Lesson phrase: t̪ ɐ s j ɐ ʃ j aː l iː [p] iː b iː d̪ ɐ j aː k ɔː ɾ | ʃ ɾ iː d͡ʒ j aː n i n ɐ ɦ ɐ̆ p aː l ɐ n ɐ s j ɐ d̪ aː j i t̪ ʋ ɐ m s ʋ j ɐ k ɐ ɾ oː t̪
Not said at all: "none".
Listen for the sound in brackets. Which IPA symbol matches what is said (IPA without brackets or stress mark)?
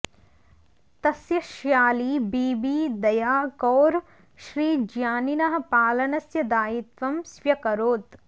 b